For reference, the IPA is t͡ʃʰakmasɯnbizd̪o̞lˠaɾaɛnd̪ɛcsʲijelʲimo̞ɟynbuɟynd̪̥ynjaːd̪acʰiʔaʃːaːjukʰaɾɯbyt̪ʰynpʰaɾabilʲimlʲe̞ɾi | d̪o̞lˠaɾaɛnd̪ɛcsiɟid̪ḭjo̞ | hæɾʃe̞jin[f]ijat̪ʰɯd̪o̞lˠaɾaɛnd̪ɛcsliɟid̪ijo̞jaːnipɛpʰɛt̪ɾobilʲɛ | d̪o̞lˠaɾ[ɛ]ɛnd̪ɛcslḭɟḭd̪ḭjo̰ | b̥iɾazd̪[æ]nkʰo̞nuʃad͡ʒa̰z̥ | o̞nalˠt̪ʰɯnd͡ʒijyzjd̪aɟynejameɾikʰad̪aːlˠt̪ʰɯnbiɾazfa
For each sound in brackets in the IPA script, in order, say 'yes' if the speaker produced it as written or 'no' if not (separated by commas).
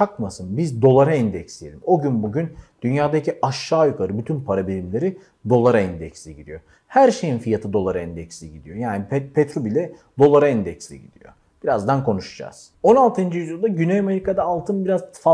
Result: yes, no, no